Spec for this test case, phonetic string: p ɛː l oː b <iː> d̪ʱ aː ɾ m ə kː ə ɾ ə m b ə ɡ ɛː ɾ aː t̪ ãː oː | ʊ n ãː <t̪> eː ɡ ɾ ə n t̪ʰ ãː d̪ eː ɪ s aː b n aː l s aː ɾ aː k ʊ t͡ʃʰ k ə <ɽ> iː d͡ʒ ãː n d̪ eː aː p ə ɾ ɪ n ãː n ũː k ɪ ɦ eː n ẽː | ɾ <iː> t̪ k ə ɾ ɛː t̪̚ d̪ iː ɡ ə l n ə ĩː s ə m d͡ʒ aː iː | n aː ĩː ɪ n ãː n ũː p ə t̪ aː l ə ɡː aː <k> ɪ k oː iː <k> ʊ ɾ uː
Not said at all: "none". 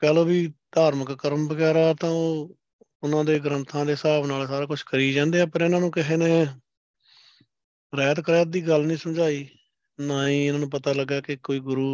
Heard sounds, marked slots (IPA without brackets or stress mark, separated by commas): iː, d̪, ɾ, ɛː, k, ɡ